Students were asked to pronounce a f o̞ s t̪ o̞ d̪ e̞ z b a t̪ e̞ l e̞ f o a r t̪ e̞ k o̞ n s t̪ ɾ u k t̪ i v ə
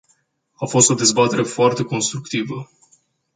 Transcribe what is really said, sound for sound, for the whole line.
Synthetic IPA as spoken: a f o̞ s t̪ o̞ d̪ e̞ z b a t̪ e̞ ɾ e̞ f o a r t̪ e̞ k o̞ n s t̪ ɾ u k t̪ i v ə